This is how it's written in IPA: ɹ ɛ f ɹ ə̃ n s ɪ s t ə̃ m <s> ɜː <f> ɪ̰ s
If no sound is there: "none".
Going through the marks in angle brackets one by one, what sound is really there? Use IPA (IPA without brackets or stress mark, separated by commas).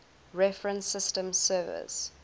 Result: s, v